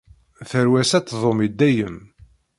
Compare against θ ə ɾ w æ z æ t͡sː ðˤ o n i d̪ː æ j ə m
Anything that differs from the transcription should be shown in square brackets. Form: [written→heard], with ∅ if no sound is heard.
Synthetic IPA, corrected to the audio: θ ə ɾ w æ [z→s] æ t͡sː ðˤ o [n→m] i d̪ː æ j ə m